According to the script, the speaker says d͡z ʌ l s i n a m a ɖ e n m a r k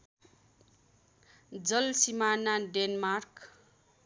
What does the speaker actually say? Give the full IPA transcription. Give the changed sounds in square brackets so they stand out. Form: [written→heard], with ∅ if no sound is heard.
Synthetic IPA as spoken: d͡z ʌ l s i [n→m] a [m→n] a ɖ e n m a r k